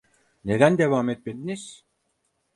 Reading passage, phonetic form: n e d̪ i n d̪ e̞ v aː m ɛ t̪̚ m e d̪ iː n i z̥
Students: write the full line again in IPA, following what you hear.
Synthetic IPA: n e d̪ æ n d̪ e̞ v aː m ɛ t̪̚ m e d̪ i n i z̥